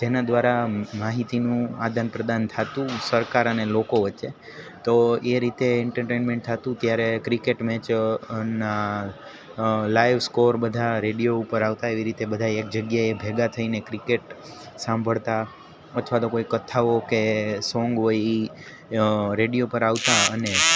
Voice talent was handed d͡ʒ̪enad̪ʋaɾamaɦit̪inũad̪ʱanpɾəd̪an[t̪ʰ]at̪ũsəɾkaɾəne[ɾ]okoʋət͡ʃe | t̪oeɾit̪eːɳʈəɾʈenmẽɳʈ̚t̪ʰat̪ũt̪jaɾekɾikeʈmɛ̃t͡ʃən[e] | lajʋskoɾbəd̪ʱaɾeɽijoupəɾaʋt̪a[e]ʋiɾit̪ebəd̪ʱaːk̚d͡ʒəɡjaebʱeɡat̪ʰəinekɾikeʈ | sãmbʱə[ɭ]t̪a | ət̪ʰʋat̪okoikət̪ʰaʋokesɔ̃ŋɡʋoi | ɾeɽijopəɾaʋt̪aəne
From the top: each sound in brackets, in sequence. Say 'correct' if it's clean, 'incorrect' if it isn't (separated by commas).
correct, incorrect, incorrect, correct, correct